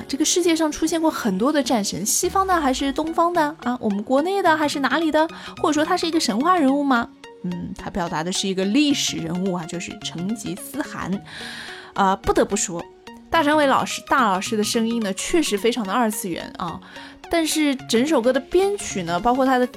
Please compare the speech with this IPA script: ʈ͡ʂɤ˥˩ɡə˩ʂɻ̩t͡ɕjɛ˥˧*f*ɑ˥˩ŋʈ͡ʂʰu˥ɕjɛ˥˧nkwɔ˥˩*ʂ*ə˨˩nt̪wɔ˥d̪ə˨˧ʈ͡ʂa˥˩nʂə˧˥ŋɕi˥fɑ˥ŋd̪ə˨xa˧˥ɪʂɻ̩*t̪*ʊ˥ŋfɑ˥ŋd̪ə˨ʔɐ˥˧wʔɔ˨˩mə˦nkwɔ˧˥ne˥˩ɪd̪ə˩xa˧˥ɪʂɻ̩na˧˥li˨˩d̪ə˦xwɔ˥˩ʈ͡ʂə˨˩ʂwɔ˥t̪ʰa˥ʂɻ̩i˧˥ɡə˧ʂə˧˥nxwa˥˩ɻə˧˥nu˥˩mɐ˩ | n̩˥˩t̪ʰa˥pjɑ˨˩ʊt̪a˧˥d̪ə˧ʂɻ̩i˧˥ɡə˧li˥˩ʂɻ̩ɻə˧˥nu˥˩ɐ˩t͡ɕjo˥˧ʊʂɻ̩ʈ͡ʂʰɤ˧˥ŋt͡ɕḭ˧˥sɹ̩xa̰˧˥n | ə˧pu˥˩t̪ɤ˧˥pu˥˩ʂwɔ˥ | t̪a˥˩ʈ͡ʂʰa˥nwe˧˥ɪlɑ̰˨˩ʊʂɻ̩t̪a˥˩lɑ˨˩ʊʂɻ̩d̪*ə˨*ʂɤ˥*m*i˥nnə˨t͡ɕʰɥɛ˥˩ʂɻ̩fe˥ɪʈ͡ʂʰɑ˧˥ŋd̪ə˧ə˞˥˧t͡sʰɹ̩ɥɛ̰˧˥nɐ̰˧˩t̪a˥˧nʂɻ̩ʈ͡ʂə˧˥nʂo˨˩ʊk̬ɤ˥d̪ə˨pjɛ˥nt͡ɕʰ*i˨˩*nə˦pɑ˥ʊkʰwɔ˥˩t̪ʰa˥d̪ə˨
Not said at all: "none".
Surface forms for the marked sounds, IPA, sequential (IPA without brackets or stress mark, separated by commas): ʂ, x, t̪, ə˨, ŋ, y˨˩